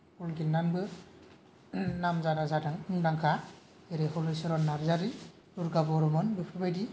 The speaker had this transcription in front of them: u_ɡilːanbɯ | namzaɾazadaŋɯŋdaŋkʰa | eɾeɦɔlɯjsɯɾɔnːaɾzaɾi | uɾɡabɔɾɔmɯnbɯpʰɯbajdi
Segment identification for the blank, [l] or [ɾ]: l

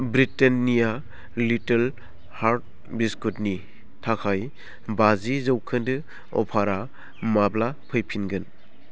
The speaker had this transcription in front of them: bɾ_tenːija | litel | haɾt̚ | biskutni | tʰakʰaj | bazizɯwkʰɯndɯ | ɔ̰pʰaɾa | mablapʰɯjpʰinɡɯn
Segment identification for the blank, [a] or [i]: i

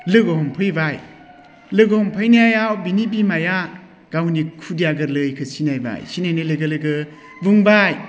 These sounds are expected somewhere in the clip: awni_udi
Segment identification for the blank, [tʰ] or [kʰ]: kʰ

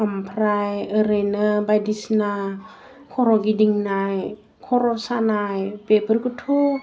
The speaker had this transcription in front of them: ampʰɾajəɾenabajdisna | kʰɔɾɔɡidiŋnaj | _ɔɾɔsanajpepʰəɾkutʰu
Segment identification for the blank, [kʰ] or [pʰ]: kʰ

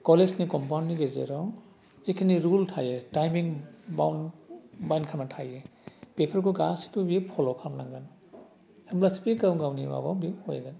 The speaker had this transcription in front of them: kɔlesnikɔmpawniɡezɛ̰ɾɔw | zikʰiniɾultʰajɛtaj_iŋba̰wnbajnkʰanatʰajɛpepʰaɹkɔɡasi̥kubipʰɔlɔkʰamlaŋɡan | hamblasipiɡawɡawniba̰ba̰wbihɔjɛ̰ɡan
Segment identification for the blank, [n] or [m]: m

